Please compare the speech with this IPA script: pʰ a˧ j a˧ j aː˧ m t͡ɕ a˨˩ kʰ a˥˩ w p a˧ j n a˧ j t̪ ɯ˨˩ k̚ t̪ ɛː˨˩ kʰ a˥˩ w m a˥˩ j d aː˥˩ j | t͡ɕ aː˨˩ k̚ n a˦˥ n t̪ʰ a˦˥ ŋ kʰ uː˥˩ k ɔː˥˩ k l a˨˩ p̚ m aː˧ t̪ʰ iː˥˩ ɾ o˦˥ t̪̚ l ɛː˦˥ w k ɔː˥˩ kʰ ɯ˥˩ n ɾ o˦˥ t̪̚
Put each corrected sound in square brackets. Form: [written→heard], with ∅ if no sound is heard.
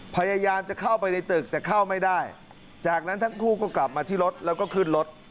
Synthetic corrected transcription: pʰ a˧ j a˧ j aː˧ m t͡ɕ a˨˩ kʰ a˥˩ w p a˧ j n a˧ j t̪ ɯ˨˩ k̚ t̪ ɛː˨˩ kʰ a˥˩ w m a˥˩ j d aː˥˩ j | t͡ɕ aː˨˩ k̚ n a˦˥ n t̪ʰ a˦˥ ŋ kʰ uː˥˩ k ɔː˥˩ k l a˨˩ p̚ m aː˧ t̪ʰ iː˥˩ ɾ o˦˥ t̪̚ l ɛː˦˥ w k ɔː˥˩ kʰ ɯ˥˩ n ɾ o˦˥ t̪̚